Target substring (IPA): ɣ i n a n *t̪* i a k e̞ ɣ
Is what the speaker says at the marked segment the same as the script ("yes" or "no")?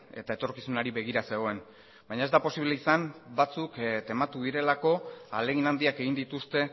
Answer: no